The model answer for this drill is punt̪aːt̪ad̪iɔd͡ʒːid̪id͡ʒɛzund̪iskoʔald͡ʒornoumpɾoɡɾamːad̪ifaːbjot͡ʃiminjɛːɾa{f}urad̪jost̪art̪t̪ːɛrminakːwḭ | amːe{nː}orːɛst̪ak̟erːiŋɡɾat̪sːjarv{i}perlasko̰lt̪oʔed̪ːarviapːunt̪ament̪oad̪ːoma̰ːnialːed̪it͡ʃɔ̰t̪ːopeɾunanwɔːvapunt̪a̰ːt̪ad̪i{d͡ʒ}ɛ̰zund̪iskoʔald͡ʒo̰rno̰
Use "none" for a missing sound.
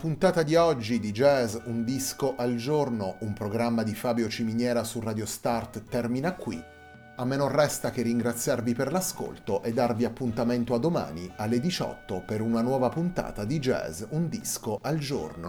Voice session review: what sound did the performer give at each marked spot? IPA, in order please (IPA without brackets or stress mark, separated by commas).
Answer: s, n, i, d͡ʒ